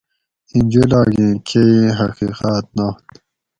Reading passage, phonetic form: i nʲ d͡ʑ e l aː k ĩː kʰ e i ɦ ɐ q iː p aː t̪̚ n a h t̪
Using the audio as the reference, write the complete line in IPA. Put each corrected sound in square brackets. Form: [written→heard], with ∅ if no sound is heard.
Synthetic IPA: i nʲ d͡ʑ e l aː [k→ɡ] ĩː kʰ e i ɦ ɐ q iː [p→q] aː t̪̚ n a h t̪